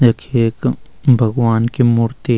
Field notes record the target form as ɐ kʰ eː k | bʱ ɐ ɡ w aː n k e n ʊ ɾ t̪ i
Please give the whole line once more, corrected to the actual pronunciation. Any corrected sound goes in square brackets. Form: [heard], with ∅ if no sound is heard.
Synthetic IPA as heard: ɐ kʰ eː k | bʱ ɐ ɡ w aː n k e [m] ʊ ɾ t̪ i